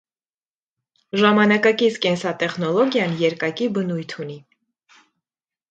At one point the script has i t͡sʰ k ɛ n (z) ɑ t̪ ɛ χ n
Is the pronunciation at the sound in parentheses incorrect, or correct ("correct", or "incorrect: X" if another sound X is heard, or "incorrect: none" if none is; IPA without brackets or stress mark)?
incorrect: s